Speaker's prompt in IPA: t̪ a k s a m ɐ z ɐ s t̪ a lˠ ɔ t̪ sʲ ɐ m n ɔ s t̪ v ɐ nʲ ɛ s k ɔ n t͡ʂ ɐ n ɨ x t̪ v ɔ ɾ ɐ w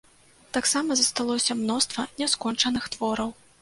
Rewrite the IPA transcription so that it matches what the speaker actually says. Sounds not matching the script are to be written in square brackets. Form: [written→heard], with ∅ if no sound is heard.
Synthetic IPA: t̪ a k s a m ɐ z ɐ s t̪ a lˠ ɔ [t̪→∅] sʲ ɐ m n ɔ s t̪ v ɐ nʲ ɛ s k ɔ n t͡ʂ ɐ n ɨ x t̪ v ɔ ɾ ɐ w